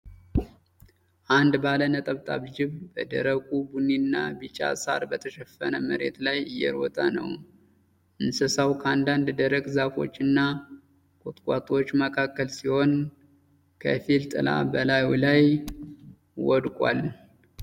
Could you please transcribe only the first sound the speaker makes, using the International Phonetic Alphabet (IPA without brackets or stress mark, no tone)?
ʔ